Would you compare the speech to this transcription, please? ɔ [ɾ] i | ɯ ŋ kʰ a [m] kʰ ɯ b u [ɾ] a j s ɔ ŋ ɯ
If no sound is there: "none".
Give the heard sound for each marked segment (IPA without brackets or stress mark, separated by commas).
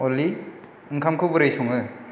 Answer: l, m, ɾ